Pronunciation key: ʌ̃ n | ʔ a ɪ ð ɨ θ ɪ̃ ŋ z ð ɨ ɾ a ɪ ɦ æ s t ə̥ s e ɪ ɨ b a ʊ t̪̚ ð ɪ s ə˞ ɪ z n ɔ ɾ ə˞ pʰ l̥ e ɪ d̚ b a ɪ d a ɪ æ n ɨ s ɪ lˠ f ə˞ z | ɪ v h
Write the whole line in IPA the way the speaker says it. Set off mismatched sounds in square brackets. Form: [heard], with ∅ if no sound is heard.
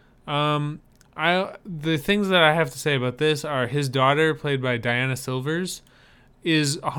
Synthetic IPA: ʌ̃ [m] | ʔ a ɪ ð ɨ θ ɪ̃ ŋ z ð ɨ ɾ a ɪ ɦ æ [f] t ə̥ s e ɪ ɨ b a ʊ t̪̚ ð ɪ s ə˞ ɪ z [d] ɔ ɾ ə˞ pʰ l̥ e ɪ d̚ b a ɪ d a ɪ æ n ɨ s ɪ lˠ [v] ə˞ z | ɪ [z] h